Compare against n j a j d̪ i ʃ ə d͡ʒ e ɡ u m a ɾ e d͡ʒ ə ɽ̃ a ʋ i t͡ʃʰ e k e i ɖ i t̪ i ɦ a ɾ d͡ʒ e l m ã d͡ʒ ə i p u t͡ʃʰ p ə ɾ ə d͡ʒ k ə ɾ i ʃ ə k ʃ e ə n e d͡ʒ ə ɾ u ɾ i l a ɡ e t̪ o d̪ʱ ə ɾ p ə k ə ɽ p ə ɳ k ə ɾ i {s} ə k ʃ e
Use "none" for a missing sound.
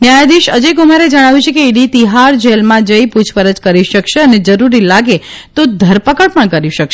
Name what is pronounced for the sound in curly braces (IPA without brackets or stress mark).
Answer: ʃ